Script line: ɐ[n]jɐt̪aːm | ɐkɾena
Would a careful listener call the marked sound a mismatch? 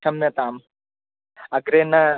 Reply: yes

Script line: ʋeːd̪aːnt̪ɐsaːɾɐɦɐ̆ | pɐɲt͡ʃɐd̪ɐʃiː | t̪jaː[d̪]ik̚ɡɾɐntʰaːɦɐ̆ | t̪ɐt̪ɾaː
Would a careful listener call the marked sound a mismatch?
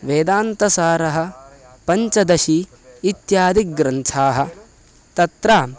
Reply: no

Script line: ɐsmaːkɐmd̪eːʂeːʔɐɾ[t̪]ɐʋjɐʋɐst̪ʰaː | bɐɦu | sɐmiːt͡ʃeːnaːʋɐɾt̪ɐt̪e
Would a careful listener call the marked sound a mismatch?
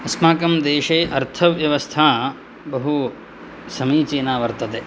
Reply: yes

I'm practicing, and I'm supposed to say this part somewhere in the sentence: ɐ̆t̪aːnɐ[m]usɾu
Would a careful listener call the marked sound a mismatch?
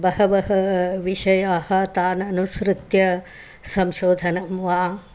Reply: yes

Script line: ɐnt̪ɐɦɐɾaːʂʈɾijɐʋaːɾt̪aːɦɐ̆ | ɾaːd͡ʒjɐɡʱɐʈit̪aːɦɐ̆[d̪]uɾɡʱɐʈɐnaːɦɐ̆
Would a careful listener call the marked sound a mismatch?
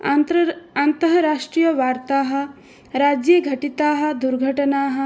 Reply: no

